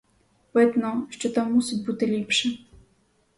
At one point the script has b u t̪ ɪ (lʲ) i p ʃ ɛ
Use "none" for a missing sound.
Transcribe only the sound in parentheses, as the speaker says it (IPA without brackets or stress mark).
lʲ